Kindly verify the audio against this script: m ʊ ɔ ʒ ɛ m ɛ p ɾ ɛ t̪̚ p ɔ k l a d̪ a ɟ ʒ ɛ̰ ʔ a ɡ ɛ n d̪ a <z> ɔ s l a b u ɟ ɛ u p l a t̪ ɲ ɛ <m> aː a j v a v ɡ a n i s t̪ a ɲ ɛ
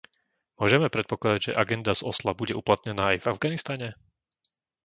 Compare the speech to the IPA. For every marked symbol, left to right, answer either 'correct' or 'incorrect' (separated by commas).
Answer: correct, incorrect